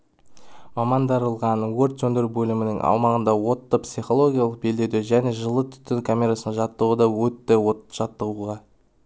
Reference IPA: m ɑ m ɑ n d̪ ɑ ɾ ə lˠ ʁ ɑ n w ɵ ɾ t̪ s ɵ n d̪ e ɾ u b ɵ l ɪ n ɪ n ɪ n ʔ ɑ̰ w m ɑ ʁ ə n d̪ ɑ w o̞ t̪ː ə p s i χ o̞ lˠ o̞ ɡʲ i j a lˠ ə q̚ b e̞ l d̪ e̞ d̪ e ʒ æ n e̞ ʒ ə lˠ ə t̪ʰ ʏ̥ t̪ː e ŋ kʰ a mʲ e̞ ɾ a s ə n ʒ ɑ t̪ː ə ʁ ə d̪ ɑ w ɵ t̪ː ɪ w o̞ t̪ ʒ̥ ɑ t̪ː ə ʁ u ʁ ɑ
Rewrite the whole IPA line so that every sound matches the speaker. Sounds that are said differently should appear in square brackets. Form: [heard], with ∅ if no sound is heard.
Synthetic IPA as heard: m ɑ m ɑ n d̪ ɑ ɾ ə lˠ ʁ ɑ n w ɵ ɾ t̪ s ɵ n d̪ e ɾ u b ɵ l ɪ [m] ɪ n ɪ [ŋ] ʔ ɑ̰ w m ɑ ʁ ə n d̪ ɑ w o̞ t̪ː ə p s i χ o̞ lˠ o̞ ɡʲ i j a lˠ ə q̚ b e̞ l d̪ e̞ d̪ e ʒ æ n e̞ ʒ ə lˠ ə t̪ʰ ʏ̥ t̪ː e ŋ kʰ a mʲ e̞ ɾ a s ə n ʒ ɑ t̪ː ə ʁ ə d̪ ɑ w ɵ t̪ː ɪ w o̞ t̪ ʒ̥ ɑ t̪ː ə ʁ u ʁ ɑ

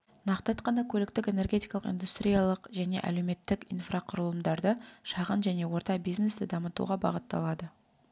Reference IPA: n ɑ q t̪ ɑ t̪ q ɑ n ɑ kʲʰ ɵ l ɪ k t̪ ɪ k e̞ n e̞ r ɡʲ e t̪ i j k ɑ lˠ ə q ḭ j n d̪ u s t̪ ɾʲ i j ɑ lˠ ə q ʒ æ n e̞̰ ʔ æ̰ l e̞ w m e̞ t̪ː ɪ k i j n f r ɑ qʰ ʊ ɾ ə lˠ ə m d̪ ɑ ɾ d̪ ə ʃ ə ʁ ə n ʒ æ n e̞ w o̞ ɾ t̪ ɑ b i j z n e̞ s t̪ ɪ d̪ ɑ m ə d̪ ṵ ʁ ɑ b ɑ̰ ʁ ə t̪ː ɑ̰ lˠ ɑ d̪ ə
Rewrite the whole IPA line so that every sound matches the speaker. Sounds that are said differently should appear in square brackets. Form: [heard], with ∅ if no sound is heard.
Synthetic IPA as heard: n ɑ q t̪ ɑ t̪ q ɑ n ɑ kʲʰ ɵ l ɪ k t̪ ɪ k e̞ n e̞ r ɡʲ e t̪ i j k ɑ lˠ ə q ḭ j n d̪ u s t̪ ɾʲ i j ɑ lˠ ə q ʒ æ n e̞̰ ʔ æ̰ l e̞ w m e̞ t̪ː ɪ k i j n f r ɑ qʰ ʊ ɾ ə lˠ ə m d̪ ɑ ɾ d̪ ə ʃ [ɑ] ʁ ə n ʒ æ n e̞ w o̞ ɾ t̪ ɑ b i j z n e̞ s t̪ ɪ d̪ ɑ m ə [t̪] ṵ ʁ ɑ b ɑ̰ ʁ ə t̪ː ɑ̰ lˠ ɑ d̪ ə

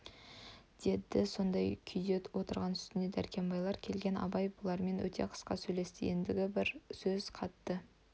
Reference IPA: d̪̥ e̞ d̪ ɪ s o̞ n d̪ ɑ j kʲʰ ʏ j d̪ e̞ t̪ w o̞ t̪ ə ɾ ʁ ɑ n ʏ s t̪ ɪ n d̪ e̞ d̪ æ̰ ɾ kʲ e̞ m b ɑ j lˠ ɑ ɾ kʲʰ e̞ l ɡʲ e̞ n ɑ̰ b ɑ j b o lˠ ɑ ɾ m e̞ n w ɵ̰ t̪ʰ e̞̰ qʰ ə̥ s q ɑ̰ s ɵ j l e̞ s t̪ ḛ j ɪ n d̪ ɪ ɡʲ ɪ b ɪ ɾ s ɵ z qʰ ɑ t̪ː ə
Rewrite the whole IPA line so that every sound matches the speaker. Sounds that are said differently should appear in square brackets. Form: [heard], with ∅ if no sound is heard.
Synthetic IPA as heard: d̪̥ e̞ d̪ ɪ s o̞ n d̪ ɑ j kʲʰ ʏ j d̪ e̞ t̪ w o̞ t̪ ə ɾ ʁ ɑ n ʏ s t̪ ɪ n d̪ e̞ d̪ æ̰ ɾ kʲ e̞ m b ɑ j lˠ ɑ ɾ kʲʰ e̞ l ɡʲ e̞ n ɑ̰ b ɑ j b o lˠ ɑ ɾ m e̞ n w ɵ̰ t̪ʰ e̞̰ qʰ ə̥ s q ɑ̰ s ɵ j l e̞ s t̪ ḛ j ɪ n d̪ ɪ ɡʲ ɪ b ɪ ɾ s ɵ z qʰ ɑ t̪ː ə

